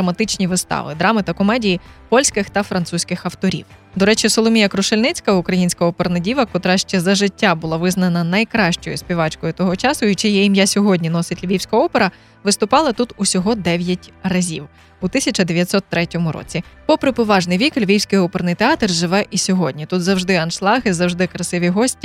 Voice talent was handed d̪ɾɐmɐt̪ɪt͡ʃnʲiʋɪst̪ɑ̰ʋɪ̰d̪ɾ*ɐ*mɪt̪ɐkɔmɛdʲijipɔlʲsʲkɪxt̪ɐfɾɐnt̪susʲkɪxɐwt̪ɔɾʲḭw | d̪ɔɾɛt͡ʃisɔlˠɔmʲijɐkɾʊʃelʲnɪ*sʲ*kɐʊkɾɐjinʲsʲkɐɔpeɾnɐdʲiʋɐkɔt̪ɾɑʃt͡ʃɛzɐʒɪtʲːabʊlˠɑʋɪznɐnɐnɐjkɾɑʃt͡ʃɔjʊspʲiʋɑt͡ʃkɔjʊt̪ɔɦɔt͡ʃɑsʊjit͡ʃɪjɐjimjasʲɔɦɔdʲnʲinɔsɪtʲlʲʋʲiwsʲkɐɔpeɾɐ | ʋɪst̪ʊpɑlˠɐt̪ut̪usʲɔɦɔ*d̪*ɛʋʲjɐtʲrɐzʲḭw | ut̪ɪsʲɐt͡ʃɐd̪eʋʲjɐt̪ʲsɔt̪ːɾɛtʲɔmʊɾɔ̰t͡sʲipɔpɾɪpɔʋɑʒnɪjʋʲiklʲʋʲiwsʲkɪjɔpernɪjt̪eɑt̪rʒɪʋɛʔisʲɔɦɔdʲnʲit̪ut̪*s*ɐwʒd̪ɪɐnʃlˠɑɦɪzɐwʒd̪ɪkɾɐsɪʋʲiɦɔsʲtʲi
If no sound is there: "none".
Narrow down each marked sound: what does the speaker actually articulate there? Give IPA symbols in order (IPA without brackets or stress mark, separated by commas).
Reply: ɑ, t͡sʲ, d̪, z